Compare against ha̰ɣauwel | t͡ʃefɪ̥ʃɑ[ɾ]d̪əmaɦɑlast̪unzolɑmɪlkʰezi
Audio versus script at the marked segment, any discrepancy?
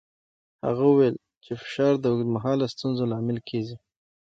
no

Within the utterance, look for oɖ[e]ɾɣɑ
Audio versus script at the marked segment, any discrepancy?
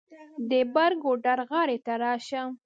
yes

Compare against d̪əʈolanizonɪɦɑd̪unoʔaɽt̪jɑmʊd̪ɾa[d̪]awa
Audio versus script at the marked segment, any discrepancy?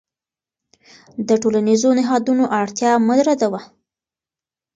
no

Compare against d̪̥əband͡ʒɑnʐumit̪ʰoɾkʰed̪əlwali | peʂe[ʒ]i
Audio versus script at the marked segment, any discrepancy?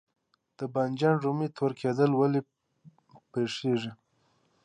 yes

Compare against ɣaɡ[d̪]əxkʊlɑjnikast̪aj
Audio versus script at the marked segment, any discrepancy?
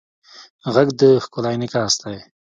no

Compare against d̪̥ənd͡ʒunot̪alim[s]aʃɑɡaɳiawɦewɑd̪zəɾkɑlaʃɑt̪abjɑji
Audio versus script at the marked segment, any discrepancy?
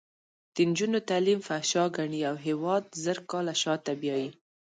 yes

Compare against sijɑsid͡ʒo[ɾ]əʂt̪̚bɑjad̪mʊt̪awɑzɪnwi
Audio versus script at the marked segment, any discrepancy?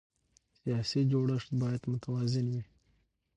yes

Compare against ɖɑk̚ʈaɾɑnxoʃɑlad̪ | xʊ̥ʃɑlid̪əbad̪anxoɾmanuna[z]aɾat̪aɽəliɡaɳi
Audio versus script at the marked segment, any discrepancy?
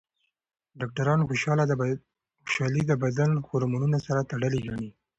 yes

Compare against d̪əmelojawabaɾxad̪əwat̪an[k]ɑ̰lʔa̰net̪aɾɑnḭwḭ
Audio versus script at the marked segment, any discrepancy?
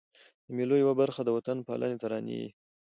yes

